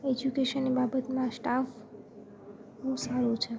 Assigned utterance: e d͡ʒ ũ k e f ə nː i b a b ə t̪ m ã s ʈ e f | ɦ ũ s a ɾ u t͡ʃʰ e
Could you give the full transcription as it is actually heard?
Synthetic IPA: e d͡ʒ u k e ʃ ə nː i b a b ə t̪ m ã s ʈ a f | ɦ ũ s a ɾ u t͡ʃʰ e